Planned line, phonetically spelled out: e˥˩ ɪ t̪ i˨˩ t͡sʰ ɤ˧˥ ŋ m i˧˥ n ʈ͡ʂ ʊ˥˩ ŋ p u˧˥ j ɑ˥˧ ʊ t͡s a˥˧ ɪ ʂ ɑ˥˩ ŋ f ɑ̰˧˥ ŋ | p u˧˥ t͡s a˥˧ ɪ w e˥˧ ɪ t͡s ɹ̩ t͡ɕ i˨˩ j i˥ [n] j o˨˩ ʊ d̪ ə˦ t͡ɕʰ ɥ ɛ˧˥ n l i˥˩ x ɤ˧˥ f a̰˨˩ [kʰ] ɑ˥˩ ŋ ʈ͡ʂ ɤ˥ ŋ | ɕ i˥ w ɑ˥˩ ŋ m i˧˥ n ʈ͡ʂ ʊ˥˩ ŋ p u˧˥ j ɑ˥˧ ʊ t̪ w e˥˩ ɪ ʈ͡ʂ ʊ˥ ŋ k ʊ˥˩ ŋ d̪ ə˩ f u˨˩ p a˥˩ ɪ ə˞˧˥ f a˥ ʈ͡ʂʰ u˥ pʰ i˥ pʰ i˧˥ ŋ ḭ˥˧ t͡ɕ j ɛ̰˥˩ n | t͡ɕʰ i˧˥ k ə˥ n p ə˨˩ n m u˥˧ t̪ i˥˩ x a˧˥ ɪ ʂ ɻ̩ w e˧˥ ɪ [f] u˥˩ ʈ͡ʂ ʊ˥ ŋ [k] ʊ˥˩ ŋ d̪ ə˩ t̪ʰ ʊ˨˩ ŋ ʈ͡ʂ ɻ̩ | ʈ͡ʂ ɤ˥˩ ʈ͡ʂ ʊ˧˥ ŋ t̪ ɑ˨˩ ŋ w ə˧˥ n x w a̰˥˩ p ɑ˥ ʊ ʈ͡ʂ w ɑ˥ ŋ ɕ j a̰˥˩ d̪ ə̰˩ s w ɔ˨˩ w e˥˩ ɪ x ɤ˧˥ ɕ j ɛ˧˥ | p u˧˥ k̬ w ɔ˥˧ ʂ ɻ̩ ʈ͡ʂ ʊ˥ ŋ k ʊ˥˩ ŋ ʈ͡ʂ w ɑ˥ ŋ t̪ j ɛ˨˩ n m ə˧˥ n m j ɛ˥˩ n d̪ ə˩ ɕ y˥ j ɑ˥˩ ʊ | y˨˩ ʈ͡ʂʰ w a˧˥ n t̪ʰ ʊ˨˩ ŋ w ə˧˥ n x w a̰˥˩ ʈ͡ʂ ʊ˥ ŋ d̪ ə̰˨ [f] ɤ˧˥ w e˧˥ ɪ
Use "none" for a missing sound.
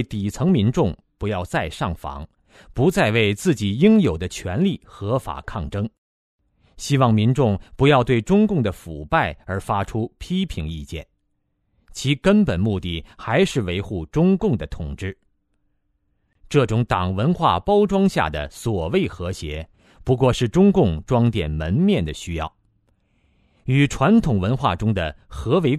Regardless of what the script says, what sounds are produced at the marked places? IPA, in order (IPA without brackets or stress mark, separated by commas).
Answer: ŋ, kʰ, x, k, x